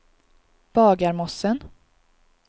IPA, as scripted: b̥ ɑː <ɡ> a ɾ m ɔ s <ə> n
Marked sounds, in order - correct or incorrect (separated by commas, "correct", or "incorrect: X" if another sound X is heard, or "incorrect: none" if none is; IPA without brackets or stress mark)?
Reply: correct, correct